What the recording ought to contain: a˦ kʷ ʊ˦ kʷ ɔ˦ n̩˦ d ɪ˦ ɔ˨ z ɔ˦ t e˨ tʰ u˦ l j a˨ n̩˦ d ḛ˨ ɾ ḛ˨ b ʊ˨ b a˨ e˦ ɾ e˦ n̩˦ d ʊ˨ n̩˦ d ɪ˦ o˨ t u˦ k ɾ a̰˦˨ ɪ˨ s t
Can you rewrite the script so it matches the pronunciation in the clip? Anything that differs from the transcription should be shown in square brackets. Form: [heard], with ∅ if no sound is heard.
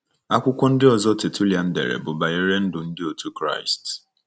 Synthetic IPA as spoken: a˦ kʷ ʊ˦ kʷ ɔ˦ n̩˦ d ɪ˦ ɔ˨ z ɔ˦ t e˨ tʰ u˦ l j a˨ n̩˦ d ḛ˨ ɾ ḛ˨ b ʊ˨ b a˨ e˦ ɾ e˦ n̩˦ d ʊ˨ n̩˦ d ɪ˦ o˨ t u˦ k ɾ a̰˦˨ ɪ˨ s t